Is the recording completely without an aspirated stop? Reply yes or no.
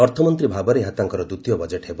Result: no